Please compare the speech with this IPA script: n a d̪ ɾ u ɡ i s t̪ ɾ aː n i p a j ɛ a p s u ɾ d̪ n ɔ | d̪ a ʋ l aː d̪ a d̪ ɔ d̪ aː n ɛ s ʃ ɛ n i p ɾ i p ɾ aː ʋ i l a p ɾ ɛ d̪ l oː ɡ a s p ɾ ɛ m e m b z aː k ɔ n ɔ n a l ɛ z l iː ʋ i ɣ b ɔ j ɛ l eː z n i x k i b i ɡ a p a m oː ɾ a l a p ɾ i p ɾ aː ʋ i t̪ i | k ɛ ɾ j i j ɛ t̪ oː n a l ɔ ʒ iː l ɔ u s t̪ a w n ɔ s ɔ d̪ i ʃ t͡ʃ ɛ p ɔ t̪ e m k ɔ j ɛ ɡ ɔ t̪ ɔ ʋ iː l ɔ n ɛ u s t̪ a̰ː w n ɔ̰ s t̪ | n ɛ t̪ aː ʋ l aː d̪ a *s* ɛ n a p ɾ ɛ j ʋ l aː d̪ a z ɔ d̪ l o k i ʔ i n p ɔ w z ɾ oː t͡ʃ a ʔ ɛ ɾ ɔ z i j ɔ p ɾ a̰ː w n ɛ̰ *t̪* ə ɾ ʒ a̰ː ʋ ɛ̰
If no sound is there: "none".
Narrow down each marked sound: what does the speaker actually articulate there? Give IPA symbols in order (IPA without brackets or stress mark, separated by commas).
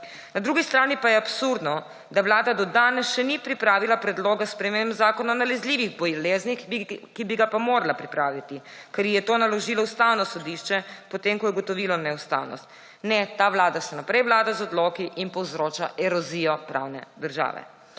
s, d̪